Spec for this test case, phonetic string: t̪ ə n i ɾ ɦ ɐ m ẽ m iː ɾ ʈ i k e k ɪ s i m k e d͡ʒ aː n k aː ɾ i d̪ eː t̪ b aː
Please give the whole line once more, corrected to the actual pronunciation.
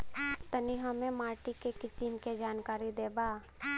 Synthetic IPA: t̪ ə n i ɦ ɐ m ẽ m aː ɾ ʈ i k e k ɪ s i m k e d͡ʒ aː n k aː ɾ i d̪ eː b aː

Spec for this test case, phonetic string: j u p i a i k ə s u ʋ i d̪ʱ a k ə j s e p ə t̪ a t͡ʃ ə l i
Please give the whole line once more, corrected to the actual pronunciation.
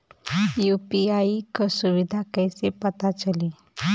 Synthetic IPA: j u p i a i k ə s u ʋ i d̪ʱ a k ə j s e p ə t̪ a t͡ʃ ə l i

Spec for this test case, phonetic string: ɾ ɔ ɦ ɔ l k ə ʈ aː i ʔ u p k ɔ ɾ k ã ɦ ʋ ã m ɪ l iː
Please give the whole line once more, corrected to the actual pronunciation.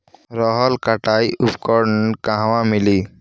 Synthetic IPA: ɾ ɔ ɦ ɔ l k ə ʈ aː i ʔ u p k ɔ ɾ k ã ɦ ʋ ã m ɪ l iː

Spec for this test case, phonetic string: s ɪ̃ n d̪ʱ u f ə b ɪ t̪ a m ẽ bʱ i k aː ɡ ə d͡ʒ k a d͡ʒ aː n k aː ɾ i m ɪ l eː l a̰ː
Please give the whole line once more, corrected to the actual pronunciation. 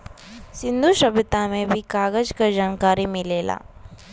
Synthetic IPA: s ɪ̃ n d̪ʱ u ʃ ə b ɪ t̪ a m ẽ bʱ i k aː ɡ ə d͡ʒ k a d͡ʒ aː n k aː ɾ i m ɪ l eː l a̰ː

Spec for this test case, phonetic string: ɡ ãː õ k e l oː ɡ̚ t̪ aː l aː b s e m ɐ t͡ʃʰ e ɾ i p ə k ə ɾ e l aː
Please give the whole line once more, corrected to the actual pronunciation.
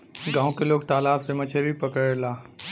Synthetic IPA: ɡ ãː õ k e l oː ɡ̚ t̪ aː l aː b s e m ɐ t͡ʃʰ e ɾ i p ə k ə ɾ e l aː

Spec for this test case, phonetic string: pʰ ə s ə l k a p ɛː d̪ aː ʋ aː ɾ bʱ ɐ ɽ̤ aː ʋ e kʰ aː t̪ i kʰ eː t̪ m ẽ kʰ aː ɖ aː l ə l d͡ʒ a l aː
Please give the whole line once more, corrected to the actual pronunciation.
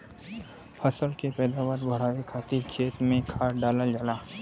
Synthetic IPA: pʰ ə s ə l k e p ɛː d̪ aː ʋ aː ɾ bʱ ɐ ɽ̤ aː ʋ e kʰ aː t̪ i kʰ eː t̪ m ẽ kʰ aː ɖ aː l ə l d͡ʒ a l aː

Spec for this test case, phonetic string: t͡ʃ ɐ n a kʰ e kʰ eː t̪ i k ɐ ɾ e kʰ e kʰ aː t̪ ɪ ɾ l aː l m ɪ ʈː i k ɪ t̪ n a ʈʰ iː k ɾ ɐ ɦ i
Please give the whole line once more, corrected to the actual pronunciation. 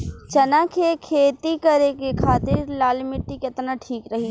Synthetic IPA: t͡ʃ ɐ n a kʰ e kʰ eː t̪ i k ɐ ɾ e k e kʰ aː t̪ ɪ ɾ l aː l m ɪ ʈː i k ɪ t̪ n a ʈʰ iː k ɾ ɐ ɦ i

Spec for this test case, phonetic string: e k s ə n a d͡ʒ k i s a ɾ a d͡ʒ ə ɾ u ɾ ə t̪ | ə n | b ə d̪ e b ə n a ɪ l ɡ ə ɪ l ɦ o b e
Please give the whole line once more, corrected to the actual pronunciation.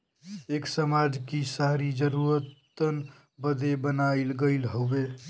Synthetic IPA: e k s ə m a d͡ʒ k i s a ɾ i d͡ʒ ə ɾ u ɾ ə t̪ | ə n | b ə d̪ e b ə n a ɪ l ɡ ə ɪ l ɦ o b e

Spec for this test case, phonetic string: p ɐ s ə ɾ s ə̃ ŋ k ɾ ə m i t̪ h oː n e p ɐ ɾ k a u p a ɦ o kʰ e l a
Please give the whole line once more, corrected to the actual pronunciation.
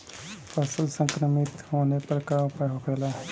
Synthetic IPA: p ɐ s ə l s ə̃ ŋ k ɾ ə m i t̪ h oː n e p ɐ ɾ k a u p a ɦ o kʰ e l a

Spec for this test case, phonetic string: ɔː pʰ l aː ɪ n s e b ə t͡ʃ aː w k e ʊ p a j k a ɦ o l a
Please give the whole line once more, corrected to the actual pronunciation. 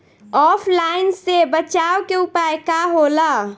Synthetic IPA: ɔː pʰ l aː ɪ n s e b ə t͡ʃ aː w k e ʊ p a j k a ɦ o l a

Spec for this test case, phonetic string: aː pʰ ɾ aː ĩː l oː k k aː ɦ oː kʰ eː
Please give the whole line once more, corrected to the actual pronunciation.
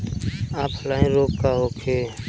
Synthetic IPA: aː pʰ l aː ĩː ɾ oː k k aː ɦ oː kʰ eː

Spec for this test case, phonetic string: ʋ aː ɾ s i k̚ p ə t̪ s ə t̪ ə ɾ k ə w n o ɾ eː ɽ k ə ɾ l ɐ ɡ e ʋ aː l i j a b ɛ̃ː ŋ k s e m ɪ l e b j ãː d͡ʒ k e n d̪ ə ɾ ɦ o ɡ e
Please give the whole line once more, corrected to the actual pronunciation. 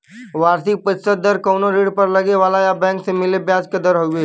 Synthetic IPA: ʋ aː ɾ s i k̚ p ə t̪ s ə d̪ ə ɾ k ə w n o ɾ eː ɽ p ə ɾ l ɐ ɡ e ʋ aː l a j a b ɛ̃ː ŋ k s e m ɪ l e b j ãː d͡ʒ k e d̪ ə ɾ ɦ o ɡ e

